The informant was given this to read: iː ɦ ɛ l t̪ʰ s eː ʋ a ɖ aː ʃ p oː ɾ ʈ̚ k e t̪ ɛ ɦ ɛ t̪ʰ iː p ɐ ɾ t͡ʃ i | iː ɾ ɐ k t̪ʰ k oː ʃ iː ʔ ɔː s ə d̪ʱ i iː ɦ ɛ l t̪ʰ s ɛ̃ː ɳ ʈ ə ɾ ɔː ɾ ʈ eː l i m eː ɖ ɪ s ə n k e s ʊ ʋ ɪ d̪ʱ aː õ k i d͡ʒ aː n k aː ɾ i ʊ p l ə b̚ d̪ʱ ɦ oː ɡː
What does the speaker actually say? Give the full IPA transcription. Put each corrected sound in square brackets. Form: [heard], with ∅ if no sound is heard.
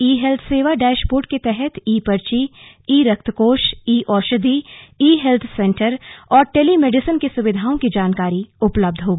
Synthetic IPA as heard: iː ɦ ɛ l t̪ʰ s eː ʋ a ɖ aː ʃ p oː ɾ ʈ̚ k e t̪ ɛ ɦ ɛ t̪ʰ iː p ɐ ɾ t͡ʃ i | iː ɾ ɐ k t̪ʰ k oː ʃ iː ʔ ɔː [ʃ] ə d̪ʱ i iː ɦ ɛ l t̪ʰ s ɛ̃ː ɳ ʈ ə ɾ ɔː ɾ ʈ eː l i m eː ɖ ɪ s ə n k e s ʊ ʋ ɪ d̪ʱ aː õ k i d͡ʒ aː n k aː ɾ i ʊ p l ə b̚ d̪ʱ ɦ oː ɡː